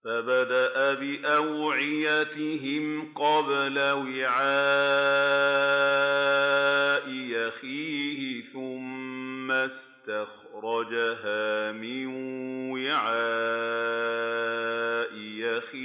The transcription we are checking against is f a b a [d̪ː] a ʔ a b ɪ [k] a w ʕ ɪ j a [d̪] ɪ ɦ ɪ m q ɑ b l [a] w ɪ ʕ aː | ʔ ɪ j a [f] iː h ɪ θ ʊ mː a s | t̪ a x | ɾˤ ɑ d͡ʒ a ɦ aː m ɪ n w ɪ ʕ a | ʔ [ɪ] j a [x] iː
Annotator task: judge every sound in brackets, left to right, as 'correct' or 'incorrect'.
incorrect: d̪, incorrect: ʔ, incorrect: t̪, correct, incorrect: x, correct, correct

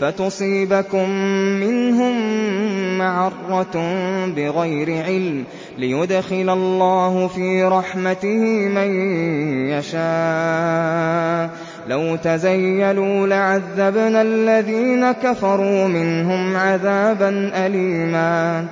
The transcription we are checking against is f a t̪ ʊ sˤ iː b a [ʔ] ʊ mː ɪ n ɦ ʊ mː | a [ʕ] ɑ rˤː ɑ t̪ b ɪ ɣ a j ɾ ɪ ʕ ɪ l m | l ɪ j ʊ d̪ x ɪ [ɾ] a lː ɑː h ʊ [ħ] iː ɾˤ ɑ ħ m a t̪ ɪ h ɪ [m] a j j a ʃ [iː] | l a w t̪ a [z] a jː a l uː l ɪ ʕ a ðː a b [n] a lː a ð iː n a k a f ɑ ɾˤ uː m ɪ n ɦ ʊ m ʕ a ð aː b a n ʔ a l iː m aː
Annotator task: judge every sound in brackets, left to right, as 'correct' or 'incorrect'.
incorrect: k, correct, incorrect: l, incorrect: f, correct, incorrect: aː, correct, correct

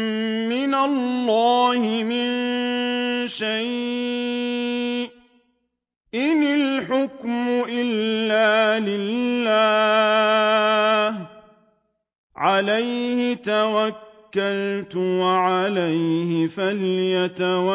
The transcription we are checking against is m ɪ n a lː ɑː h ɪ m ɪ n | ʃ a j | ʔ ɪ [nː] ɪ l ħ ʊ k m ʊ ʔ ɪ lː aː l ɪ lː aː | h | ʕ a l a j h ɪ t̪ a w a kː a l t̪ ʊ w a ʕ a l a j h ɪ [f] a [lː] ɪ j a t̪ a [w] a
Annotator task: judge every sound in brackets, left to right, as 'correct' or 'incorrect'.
incorrect: n, correct, incorrect: l, correct

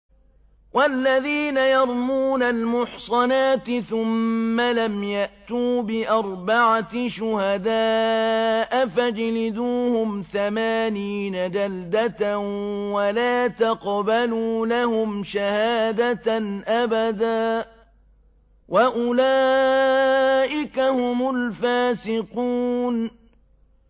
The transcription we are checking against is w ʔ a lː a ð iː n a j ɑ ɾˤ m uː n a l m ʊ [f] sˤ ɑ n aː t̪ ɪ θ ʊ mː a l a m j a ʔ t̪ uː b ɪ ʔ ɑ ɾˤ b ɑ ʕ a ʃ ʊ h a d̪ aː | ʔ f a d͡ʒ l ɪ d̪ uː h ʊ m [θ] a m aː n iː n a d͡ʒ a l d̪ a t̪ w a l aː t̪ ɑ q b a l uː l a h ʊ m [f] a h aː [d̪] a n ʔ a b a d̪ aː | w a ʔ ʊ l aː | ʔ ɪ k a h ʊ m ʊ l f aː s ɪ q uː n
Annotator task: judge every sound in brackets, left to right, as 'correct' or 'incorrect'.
incorrect: ħ, correct, incorrect: ʃ, correct

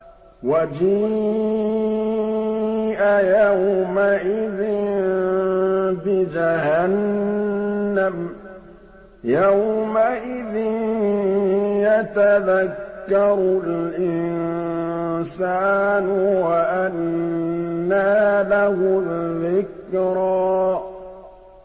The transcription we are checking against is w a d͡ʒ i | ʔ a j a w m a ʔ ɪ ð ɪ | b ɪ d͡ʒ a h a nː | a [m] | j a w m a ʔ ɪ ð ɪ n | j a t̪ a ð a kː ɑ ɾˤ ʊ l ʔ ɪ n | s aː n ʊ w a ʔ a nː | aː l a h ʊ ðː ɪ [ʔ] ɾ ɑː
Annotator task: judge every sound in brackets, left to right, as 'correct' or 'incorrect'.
correct, incorrect: k

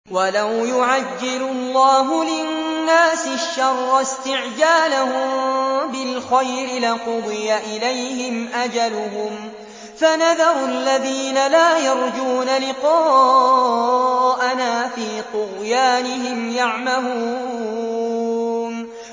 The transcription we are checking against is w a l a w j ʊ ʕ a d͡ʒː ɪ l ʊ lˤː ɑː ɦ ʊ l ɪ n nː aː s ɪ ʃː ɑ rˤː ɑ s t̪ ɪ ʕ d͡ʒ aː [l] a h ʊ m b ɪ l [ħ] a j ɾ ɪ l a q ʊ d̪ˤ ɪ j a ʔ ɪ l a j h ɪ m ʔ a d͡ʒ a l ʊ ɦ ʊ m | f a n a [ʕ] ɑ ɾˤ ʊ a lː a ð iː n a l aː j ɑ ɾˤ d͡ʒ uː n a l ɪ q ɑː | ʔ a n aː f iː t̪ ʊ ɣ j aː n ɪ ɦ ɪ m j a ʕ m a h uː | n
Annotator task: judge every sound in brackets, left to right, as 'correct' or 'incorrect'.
correct, incorrect: x, incorrect: ð

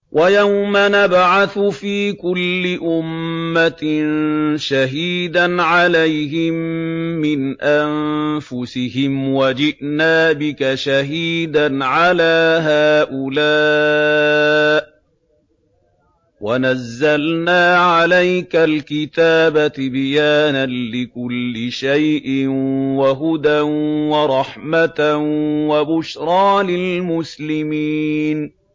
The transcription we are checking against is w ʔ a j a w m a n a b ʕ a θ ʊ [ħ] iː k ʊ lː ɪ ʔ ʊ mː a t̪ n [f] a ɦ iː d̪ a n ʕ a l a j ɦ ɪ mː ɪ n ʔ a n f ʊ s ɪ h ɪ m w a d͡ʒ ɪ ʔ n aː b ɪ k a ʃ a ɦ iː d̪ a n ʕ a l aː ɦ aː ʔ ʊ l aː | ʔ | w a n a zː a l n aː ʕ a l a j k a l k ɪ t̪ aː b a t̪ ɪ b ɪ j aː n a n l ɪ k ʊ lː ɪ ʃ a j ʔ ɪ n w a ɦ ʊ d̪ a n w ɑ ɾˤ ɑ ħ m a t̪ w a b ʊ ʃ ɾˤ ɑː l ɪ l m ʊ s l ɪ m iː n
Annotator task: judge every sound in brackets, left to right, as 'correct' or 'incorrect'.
incorrect: f, incorrect: ʃ

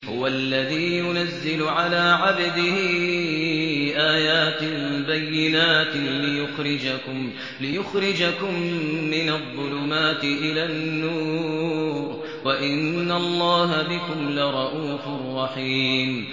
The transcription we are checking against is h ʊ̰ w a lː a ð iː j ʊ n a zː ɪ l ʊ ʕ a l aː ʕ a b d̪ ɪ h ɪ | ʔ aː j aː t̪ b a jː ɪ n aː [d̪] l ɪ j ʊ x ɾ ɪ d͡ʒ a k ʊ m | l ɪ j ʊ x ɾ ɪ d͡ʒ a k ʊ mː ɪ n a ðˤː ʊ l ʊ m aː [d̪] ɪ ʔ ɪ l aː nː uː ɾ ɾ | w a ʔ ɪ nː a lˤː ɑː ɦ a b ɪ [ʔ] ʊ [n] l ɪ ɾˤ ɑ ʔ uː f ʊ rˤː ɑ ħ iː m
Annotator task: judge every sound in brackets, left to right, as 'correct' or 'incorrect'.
incorrect: t̪, incorrect: t̪, incorrect: k, incorrect: m

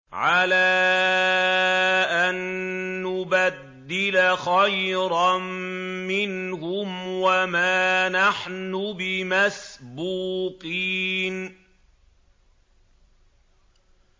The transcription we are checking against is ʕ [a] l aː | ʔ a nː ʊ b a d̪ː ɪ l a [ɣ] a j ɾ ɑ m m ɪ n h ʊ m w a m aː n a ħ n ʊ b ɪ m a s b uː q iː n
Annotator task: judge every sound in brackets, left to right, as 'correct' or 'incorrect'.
correct, incorrect: x

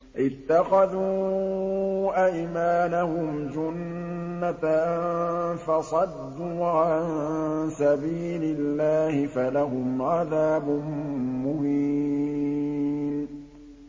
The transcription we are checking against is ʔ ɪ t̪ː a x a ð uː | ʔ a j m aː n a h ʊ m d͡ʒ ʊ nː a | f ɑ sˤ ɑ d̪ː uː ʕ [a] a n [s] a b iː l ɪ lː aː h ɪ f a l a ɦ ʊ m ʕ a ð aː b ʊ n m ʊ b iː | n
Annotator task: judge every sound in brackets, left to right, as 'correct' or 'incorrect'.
correct, correct

